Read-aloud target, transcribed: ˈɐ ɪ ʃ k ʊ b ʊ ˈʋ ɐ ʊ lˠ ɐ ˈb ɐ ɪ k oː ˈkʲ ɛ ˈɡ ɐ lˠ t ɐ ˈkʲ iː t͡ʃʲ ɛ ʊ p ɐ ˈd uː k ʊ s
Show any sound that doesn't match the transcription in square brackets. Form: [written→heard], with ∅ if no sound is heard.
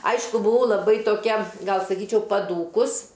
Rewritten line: ˈɐ ɪ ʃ k ʊ b ʊ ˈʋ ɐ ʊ lˠ ɐ ˈb ɐ ɪ [k→t] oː ˈkʲ ɛ ˈɡ ɐ lˠ [t→s] ɐ ˈkʲ iː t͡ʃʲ ɛ ʊ p ɐ ˈd uː k ʊ s